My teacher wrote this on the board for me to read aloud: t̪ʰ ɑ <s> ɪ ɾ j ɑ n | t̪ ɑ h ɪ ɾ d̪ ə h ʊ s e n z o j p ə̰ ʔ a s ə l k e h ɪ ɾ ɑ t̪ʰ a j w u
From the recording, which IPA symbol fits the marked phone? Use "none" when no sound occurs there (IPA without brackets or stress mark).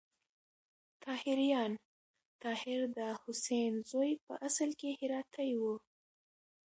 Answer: h